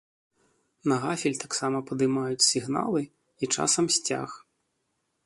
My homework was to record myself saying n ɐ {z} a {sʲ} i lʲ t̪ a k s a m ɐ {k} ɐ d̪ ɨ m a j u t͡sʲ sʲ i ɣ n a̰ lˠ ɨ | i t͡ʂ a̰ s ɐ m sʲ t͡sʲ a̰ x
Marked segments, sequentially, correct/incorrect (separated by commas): incorrect, incorrect, incorrect